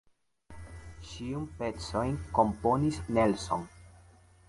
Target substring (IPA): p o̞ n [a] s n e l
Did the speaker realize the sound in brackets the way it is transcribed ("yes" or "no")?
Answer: no